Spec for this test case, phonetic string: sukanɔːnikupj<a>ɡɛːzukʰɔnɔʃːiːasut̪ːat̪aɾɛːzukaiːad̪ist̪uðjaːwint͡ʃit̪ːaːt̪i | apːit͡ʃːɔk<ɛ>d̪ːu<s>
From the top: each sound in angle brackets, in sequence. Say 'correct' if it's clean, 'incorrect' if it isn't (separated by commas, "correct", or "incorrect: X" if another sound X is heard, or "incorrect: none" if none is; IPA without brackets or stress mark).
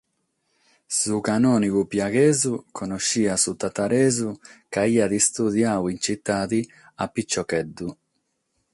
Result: correct, correct, incorrect: none